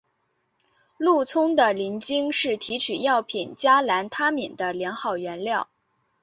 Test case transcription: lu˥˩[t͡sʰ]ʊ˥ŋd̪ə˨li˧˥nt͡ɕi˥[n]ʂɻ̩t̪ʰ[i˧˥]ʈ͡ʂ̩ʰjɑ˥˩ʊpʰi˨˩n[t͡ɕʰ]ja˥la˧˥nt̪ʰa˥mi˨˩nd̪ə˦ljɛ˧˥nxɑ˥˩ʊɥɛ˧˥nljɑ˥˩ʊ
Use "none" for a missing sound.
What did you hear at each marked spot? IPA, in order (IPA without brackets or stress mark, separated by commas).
t͡sʰ, ŋ, i˧˥, t͡ɕ